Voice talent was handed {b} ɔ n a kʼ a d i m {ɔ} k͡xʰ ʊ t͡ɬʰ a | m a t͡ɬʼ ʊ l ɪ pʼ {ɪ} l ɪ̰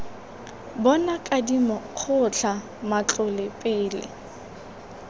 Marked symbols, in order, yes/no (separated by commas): yes, yes, no